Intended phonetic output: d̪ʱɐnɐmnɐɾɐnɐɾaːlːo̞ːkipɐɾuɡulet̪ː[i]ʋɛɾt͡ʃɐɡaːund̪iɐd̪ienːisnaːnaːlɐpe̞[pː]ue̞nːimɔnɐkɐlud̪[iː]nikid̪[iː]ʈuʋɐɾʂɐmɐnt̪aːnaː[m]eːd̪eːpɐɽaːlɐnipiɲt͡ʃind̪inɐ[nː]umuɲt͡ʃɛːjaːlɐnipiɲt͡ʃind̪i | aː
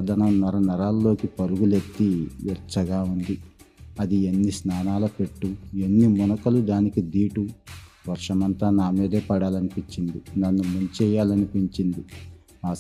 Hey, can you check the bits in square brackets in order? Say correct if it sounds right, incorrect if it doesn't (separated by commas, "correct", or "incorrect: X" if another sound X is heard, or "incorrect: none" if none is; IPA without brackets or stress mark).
correct, incorrect: ʈː, incorrect: aː, correct, correct, correct